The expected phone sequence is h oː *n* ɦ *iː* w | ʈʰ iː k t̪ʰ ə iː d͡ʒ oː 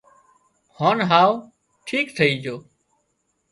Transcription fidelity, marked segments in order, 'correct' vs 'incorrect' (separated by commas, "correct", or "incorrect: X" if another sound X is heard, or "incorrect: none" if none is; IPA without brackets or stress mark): correct, incorrect: aː